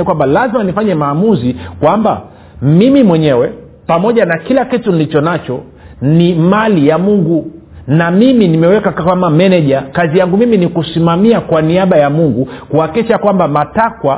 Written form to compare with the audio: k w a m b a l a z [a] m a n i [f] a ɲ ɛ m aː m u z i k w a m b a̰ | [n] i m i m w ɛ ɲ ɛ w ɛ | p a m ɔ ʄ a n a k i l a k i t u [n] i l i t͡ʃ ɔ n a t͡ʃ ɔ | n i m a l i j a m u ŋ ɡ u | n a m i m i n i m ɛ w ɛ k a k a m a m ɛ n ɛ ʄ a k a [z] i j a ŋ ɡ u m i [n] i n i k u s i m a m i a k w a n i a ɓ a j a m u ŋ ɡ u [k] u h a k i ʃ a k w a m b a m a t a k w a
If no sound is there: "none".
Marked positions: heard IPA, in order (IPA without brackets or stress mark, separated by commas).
i, f, m, n, z, m, k